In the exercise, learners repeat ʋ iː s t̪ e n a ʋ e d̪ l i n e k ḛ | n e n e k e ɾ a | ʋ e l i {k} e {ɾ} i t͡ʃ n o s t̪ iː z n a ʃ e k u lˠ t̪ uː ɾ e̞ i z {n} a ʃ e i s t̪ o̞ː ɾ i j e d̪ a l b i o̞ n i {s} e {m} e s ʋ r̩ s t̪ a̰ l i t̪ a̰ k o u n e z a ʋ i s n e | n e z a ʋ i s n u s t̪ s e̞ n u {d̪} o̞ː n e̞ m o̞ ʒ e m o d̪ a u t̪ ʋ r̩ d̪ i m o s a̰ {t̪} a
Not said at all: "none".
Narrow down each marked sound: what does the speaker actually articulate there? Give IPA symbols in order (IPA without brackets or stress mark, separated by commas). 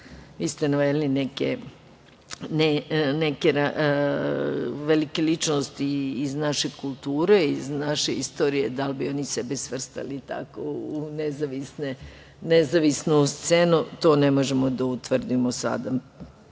k, l, n, s, b, t̪, d̪